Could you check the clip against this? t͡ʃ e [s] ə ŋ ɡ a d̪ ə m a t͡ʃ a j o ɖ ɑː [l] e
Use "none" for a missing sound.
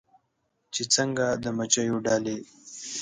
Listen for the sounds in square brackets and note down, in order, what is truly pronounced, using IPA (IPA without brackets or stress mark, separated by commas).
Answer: t͡s, l